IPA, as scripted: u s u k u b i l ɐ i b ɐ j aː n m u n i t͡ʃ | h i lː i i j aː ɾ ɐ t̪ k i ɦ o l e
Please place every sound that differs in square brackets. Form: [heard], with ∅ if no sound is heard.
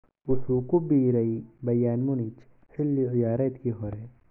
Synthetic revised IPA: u s u k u b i [ɾ] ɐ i b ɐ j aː n m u n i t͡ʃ | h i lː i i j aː ɾ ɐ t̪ k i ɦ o [ɾ] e